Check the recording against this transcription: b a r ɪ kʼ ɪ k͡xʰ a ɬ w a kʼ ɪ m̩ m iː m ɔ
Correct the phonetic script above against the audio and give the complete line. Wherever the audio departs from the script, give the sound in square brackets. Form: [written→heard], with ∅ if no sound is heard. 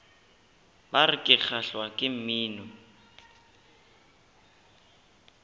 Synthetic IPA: b a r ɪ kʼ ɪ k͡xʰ a ɬ w a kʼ ɪ m̩ m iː [m→n] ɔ